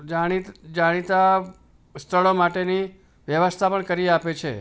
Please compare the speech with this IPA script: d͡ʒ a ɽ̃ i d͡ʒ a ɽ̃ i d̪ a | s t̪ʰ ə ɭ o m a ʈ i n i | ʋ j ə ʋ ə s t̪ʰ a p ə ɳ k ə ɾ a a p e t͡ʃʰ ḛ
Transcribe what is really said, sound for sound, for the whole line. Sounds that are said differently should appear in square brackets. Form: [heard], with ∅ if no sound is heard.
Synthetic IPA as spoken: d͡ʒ a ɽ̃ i d͡ʒ a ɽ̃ i [t̪] a | s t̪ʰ ə ɭ o m a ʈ [e] n i | ʋ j ə ʋ ə s t̪ʰ a p ə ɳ k ə ɾ [i] a p e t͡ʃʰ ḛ